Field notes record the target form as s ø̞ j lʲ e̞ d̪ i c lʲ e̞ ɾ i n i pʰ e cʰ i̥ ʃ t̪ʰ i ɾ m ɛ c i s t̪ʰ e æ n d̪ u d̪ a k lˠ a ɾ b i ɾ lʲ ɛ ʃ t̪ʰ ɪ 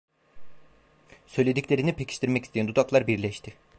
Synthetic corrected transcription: s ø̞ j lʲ e̞ d̪ i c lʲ e̞ ɾ i n i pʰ e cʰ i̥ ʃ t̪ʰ i ɾ m ɛ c i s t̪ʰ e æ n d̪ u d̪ a k lˠ a ɾ b i ɾ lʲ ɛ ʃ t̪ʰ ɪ